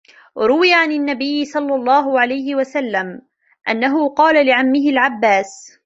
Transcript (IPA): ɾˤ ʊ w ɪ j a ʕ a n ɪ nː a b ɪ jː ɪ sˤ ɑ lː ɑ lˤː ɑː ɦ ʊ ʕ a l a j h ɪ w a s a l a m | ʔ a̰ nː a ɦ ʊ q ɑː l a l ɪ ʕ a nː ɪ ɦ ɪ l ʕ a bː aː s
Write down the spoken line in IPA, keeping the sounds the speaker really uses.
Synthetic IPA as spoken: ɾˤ ʊ w ɪ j a ʕ a n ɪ nː a b ɪ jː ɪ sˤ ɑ lː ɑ lˤː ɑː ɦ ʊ ʕ a l a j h ɪ w a s a lː a m | ʔ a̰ nː a ɦ ʊ q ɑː l a l ɪ ʕ a mː ɪ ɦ ɪ l ʕ a bː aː s

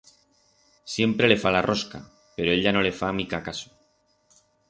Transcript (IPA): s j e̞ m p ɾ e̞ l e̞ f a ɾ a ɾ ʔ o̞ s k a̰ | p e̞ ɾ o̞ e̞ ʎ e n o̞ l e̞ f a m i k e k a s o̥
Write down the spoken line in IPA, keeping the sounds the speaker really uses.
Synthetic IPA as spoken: s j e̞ m p ɾ e̞ l e̞ f a l a r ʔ o̞ s k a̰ | p e̞ ɾ o̞ e̞ ʎ a n o̞ l e̞ f a m i k a k a s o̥

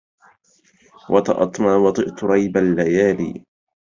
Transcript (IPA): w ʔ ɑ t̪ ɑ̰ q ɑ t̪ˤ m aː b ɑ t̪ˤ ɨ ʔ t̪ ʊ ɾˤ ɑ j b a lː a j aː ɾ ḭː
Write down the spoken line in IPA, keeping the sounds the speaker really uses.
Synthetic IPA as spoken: w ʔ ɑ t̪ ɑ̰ ʔ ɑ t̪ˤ m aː w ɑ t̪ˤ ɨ ʔ t̪ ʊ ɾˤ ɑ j b a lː a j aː l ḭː

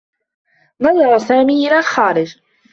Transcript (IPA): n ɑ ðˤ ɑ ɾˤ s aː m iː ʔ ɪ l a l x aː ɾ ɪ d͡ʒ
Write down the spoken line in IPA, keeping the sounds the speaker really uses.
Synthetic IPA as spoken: n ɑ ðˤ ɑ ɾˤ s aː m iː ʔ ɪ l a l x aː ɾ ɪ d͡ʒ

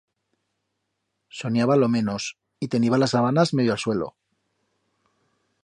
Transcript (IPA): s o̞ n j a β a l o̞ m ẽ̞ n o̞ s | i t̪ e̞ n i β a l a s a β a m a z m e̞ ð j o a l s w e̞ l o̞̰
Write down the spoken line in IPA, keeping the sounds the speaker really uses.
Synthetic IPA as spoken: s o̞ n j a β a l o̞ m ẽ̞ n o̞ s | i t̪ e̞ n i β a l a s a β a n a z m e̞ ð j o a l s w e̞ l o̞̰

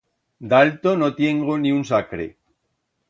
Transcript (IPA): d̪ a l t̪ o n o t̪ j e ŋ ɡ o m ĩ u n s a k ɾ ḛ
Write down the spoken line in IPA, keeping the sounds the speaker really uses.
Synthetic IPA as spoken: d̪ a l t̪ o n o t̪ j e ŋ ɡ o n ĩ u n s a k ɾ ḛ

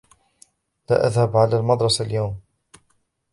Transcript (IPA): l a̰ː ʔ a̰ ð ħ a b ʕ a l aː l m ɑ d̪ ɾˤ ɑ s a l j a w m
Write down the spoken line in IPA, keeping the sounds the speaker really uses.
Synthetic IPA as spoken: l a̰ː ʔ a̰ ð h a b ʕ a l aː l m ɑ d̪ ɾˤ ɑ s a l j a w m

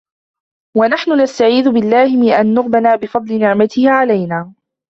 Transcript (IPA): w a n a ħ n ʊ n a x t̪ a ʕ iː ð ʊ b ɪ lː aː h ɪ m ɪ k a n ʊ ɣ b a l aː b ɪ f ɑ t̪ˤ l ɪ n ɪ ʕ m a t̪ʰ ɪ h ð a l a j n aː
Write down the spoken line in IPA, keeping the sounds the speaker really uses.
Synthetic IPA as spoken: w a n a ħ n ʊ n a s t̪ a ʕ iː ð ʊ b ɪ lː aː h ɪ m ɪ ʔ a nː ʊ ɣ b a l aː b ɪ f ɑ d̪ˤ l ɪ n ɪ ʕ m a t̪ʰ ɪ h ʕ a l a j n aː

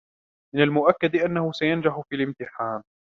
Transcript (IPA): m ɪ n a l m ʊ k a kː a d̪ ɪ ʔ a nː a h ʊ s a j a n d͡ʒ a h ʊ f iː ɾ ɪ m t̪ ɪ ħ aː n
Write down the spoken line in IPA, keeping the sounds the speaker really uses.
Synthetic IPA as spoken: m ɪ n a l m ʊ ʔ a kː a d̪ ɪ ʔ a nː a h ʊ s a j a n d͡ʒ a ħ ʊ f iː l ɪ m t̪ ɪ ħ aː n

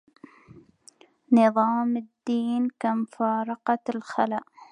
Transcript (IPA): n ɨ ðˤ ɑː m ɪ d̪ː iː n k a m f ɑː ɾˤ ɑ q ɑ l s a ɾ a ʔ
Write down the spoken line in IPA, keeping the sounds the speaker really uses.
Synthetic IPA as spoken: n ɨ ðˤ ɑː m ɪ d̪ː iː n k a m f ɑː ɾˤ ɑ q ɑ l x a l a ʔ

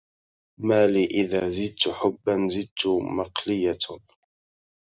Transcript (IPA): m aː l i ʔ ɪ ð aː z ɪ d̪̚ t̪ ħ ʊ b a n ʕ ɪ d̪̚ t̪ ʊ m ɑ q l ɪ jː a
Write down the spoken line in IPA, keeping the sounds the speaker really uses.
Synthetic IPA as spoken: m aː l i ʔ ɪ ð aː z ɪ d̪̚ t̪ ħ ʊ bː a n z ɪ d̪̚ t̪ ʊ m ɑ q l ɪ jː a

